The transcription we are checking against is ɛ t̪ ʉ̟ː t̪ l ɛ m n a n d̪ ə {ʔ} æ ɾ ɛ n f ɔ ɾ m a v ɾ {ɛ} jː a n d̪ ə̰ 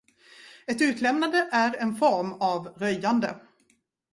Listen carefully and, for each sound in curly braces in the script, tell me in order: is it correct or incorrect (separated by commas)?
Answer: correct, incorrect